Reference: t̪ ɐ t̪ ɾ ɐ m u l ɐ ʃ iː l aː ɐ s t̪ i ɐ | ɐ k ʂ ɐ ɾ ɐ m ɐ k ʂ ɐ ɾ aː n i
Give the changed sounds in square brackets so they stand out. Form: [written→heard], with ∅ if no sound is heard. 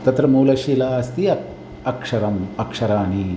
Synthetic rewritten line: t̪ ɐ t̪ ɾ ɐ m [u→uː] l ɐ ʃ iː l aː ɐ s t̪ i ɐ | ɐ k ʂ ɐ ɾ ɐ m ɐ k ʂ ɐ ɾ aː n i